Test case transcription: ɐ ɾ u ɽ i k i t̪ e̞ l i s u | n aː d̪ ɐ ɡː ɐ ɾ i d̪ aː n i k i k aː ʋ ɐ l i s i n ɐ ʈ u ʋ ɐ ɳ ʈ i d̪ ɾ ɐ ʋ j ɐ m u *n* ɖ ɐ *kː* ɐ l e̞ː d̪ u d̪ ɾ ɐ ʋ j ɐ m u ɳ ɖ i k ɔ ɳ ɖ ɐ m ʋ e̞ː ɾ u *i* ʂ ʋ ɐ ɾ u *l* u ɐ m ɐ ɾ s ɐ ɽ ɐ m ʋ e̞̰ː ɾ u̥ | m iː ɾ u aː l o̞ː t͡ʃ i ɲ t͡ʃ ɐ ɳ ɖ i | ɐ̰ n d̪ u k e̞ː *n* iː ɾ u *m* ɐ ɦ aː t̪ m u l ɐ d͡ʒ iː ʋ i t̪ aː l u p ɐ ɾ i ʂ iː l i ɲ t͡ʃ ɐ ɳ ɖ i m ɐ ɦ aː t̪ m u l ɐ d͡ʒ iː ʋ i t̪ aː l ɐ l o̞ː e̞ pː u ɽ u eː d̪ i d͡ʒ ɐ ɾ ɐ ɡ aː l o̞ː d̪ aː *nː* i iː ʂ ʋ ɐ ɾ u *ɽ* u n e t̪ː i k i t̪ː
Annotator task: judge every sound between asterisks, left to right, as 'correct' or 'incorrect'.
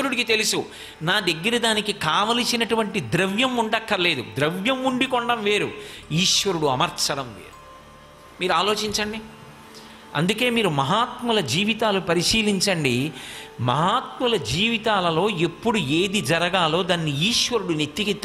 incorrect, correct, incorrect, incorrect, incorrect, correct, correct, correct

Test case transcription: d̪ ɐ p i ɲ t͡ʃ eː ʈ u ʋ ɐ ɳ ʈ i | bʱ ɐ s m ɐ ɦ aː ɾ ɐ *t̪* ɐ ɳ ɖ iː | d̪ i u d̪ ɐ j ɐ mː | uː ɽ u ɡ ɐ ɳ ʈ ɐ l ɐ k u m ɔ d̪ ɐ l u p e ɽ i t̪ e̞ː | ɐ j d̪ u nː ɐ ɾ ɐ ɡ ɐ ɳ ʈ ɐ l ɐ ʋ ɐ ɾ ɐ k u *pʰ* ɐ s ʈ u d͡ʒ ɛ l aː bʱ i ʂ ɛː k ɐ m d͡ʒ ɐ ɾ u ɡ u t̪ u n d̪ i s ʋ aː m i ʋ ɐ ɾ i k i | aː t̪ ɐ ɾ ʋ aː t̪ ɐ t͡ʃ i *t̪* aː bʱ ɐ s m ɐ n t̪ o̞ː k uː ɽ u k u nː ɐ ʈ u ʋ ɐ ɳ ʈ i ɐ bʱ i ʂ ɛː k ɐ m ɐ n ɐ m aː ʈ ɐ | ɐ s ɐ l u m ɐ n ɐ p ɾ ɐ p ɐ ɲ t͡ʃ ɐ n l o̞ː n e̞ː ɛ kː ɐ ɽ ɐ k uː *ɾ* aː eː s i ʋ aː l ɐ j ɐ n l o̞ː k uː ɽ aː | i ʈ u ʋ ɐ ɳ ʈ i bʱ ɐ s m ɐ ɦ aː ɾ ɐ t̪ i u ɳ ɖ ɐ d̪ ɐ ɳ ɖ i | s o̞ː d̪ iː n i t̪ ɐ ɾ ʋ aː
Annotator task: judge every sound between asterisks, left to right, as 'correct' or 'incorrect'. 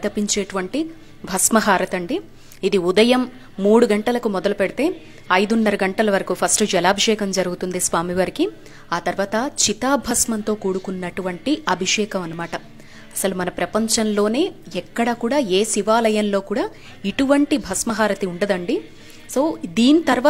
correct, correct, correct, incorrect

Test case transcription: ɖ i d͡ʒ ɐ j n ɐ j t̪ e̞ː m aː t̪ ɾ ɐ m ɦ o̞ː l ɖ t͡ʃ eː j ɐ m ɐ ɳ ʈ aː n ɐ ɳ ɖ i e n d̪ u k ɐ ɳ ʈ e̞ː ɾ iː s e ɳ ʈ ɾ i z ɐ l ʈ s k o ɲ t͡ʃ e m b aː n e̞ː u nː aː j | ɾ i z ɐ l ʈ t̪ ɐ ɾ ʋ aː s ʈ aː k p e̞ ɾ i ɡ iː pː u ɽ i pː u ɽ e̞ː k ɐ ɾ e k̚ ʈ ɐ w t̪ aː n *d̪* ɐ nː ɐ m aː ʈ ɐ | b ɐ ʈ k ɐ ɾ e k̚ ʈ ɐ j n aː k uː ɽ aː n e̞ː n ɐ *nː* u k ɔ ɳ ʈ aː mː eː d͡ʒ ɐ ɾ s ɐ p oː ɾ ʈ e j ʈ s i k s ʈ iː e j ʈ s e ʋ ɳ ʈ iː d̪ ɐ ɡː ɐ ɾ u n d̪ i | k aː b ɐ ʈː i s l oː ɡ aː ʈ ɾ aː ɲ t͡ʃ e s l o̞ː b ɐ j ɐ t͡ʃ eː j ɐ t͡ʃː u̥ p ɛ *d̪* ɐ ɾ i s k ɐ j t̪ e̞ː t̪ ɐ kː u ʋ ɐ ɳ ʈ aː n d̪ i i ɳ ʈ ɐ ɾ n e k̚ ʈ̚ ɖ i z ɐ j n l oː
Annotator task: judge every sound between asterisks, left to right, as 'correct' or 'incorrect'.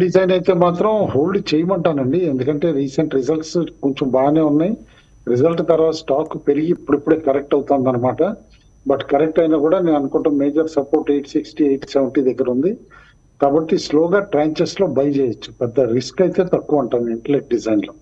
correct, incorrect, incorrect

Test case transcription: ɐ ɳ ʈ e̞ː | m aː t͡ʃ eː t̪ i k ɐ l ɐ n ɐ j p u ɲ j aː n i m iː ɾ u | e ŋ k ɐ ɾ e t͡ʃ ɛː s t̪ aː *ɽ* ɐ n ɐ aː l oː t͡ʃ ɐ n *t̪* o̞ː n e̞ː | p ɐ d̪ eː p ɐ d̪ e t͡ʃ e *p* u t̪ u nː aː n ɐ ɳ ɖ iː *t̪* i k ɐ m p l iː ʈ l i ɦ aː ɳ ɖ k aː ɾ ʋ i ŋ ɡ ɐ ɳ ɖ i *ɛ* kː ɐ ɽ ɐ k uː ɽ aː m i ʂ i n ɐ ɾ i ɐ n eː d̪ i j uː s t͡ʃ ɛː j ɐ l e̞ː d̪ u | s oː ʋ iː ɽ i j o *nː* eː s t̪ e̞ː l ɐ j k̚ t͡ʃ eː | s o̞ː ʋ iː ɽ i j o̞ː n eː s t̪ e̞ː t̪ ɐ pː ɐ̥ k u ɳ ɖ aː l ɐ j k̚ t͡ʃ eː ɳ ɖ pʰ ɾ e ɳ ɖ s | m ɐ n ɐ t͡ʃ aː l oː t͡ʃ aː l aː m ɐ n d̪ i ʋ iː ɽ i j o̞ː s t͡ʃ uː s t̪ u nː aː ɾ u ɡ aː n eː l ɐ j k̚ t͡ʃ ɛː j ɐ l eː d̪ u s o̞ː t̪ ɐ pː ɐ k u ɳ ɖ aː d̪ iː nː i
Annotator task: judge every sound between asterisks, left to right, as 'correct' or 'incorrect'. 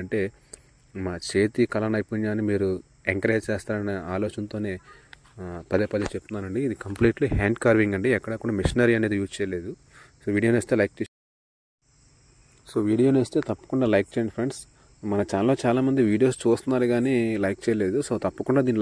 incorrect, correct, correct, incorrect, correct, incorrect

